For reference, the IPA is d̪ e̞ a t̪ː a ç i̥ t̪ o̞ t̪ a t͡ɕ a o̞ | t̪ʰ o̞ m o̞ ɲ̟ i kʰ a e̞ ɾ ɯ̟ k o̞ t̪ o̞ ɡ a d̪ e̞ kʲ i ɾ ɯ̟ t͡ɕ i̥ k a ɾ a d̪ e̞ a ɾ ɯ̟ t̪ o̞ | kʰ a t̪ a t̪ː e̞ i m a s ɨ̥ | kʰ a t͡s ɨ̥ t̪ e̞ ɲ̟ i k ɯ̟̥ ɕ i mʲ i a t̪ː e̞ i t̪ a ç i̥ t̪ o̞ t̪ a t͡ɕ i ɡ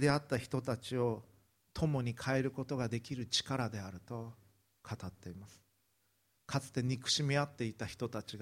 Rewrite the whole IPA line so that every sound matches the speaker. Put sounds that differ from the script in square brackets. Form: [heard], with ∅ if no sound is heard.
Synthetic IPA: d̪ e̞ a t̪ː a ç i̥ t̪ o̞ t̪ a t͡ɕ [i] o̞ | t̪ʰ o̞ m o̞ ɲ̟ i kʰ a e̞ ɾ ɯ̟ k o̞ t̪ o̞ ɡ a d̪ e̞ kʲ i ɾ ɯ̟ t͡ɕ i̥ k a ɾ a d̪ e̞ a ɾ ɯ̟ t̪ o̞ | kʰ a t̪ a t̪ː e̞ i m a s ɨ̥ | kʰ a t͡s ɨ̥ t̪ e̞ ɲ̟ i k ɯ̟̥ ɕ i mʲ i a t̪ː e̞ i t̪ a ç i̥ t̪ o̞ t̪ a t͡ɕ i ɡ